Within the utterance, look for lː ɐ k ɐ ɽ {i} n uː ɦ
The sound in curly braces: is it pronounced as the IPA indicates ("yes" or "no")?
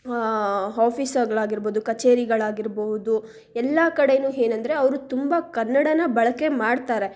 no